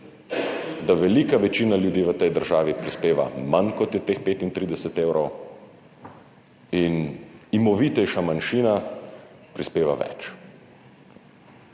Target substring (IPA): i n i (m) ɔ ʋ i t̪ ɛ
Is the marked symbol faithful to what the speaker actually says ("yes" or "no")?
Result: yes